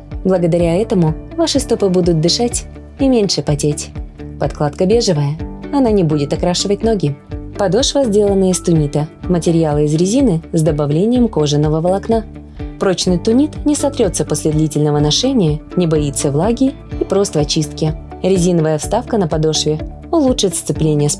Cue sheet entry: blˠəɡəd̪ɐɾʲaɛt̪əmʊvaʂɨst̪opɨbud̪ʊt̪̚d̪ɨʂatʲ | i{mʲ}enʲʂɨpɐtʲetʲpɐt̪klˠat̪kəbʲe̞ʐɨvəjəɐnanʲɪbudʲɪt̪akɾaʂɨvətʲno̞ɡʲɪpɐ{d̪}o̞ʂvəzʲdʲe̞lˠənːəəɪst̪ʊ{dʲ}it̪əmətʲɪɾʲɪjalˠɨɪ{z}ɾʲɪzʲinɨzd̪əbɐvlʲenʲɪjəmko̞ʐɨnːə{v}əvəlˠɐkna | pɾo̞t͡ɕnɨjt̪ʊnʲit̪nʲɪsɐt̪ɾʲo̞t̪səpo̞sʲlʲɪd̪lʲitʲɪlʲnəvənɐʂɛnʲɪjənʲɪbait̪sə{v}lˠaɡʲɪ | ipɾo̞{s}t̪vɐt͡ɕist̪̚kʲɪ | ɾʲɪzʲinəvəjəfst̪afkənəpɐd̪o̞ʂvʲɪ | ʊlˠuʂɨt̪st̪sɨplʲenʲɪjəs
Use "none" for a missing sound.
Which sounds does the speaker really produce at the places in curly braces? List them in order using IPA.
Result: mʲ, d̪, nʲ, z, v, v, s

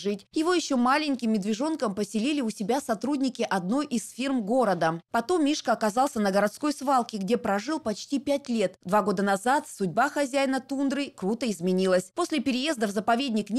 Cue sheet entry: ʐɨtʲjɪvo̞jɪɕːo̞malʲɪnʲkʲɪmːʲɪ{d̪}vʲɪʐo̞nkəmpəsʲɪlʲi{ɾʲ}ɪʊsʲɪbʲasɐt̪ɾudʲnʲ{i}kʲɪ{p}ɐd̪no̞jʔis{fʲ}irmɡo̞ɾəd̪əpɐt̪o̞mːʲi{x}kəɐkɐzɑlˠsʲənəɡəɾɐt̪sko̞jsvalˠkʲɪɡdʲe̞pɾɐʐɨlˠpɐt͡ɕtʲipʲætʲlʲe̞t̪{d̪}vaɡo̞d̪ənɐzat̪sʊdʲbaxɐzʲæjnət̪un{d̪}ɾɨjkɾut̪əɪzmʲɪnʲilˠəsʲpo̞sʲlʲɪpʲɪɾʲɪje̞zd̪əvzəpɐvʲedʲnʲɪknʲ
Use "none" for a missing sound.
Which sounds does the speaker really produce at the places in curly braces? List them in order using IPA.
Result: d̪, lʲ, ɪ, ʔ, fʲ, ʂ, d̪, d̪

